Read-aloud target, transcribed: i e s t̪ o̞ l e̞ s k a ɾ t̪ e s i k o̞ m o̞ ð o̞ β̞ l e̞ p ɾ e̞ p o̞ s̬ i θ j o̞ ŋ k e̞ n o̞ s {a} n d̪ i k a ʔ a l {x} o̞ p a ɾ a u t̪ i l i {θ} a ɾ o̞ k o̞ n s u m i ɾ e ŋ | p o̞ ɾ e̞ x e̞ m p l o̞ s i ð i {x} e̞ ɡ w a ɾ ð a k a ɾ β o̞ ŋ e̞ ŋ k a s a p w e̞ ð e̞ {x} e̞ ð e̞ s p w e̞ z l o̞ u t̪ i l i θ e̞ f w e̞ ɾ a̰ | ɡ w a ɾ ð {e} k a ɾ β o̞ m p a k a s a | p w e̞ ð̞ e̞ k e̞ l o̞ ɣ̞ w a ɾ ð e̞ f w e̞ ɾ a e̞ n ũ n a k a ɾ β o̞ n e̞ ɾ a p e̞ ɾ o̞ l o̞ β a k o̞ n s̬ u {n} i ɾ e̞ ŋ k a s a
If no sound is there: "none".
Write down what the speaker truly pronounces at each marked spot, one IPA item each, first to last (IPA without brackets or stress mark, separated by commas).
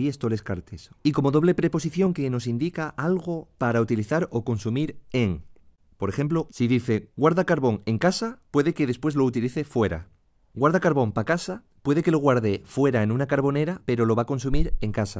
i, ɣ, θ, θ, k, a, m